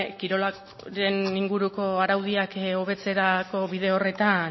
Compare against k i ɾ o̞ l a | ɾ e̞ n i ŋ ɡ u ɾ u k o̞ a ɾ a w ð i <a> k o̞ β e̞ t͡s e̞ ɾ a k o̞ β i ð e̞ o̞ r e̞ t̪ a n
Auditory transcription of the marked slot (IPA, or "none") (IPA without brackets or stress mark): a